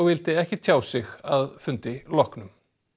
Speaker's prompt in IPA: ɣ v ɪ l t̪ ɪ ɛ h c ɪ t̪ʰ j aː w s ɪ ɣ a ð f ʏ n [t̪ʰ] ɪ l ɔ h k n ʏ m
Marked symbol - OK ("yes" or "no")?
no